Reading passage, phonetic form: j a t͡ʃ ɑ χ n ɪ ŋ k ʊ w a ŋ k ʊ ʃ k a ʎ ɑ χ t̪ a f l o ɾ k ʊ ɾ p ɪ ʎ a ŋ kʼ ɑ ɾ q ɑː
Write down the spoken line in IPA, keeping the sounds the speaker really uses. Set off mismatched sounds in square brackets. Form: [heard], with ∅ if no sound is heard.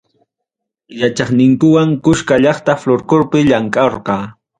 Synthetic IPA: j a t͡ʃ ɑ χ n ɪ ŋ k ʊ w a ŋ k ʊ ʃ k a ʎ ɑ χ t̪ a f l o ɾ k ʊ ɾ p ɪ ʎ a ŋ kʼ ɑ ɾ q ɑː